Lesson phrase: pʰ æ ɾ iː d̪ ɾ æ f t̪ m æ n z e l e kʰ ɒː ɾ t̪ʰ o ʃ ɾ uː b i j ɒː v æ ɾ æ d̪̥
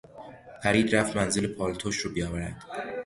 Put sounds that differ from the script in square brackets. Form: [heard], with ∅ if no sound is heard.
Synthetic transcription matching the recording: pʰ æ ɾ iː d̪ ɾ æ f t̪ m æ n z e l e [pʰ] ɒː [l] t̪ʰ o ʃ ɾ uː b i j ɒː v æ ɾ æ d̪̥